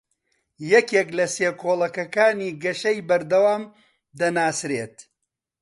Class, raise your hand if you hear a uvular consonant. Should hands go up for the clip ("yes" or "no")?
no